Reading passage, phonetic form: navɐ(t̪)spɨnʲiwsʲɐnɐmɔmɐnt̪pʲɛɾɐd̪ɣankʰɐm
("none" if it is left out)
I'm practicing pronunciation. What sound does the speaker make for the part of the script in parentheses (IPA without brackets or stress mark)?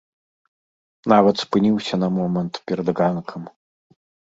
t̪